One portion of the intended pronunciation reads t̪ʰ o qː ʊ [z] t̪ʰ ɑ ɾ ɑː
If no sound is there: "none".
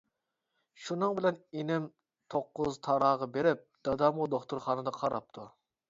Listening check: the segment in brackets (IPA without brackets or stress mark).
z